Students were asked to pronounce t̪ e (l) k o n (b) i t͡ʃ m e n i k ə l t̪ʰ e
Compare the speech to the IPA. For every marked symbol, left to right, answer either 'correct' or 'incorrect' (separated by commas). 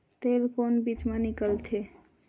correct, correct